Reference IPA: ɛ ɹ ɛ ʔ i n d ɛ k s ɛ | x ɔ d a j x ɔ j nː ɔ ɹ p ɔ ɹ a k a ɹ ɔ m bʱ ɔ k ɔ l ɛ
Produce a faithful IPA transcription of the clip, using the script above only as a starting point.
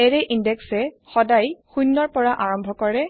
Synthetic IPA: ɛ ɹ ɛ ʔ i n d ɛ k s ɛ | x ɔ d a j x u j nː ɔ ɹ p ɔ ɹ a ʔ a ɹ ɔ m bʱ ɔ k ɔ ɹ ɛ